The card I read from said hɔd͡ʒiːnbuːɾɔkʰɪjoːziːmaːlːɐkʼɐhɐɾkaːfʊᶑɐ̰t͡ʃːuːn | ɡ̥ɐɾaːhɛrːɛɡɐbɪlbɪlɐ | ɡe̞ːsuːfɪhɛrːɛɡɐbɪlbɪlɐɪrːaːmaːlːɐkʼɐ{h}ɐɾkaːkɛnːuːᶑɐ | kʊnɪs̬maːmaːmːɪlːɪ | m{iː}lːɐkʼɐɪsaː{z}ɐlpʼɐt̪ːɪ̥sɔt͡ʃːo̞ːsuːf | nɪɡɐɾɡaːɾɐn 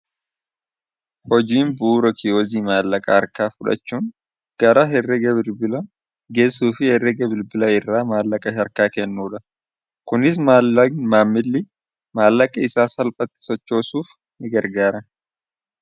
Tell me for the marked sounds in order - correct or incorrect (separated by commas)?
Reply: incorrect, incorrect, incorrect